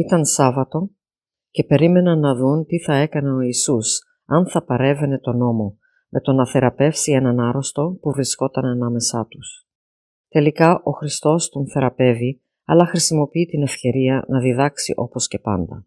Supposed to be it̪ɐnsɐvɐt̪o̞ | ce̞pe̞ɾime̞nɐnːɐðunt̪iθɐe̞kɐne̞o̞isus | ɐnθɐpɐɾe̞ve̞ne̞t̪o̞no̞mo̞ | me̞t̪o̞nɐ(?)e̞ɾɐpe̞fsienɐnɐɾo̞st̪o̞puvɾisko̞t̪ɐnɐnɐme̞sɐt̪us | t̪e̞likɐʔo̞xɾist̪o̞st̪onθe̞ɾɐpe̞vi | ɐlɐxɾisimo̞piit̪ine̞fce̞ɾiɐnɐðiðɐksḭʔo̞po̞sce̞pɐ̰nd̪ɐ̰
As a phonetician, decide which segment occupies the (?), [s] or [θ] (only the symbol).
θ